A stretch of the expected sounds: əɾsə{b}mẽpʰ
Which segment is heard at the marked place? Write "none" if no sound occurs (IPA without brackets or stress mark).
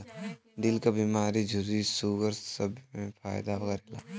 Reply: b